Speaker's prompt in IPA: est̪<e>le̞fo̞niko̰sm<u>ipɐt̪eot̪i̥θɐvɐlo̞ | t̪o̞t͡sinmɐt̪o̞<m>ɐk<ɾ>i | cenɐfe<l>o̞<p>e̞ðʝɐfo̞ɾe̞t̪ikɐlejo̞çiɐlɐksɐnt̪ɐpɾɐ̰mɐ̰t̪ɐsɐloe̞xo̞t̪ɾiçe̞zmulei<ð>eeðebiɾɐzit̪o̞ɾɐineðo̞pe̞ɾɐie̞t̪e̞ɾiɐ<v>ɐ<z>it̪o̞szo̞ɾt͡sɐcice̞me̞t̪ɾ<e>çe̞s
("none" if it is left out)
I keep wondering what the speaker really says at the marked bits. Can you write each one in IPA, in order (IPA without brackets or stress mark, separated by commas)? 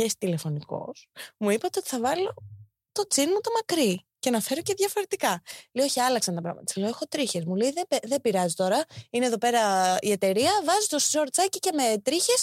i, u, m, ɾ, ɾ, c, ð, v, z, i